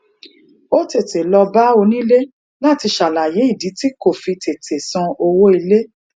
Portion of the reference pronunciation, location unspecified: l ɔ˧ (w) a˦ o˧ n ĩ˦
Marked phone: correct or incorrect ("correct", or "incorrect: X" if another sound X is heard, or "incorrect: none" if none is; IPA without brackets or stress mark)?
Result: incorrect: b